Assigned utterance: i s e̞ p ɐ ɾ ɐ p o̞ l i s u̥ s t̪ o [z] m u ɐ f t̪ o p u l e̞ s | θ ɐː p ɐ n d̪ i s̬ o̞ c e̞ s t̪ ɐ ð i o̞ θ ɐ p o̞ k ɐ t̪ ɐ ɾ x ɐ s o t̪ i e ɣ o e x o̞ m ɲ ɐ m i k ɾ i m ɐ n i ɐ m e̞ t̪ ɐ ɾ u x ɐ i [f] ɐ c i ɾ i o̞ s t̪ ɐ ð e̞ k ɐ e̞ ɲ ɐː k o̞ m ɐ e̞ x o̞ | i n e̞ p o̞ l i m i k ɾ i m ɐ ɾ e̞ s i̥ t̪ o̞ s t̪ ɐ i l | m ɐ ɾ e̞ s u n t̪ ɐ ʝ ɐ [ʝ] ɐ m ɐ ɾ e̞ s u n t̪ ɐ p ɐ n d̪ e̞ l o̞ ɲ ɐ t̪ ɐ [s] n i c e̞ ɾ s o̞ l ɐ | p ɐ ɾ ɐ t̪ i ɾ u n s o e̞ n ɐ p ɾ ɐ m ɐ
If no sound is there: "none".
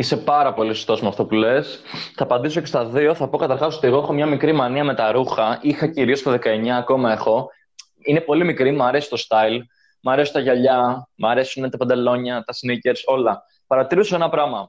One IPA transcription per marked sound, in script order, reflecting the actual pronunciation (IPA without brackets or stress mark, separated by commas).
s, x, ʎ, s